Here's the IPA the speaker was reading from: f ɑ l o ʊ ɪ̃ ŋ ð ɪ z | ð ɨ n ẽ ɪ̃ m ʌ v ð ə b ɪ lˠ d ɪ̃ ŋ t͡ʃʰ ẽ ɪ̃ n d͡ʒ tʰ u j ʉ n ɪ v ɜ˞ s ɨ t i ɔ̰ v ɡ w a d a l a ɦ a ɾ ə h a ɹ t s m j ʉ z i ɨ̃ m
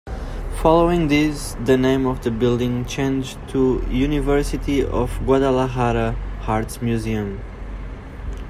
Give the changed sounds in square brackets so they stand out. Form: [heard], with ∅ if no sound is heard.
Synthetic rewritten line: f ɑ l o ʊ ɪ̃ ŋ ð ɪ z | ð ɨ n ẽ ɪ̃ m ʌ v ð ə b ɪ lˠ d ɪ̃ ŋ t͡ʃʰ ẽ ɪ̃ n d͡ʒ tʰ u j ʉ n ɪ v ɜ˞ s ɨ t i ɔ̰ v ɡ w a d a l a ɦ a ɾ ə h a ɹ t s m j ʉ z i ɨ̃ m